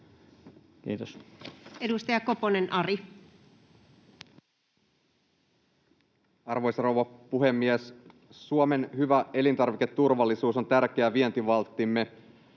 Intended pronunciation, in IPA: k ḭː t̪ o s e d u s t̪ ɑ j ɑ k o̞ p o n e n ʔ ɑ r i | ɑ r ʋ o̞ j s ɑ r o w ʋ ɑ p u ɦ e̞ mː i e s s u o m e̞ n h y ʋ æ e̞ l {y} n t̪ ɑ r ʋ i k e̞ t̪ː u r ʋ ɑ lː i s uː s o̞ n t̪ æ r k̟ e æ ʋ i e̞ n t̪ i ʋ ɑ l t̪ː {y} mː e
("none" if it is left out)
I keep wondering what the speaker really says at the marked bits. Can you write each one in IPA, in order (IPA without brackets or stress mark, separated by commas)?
i, i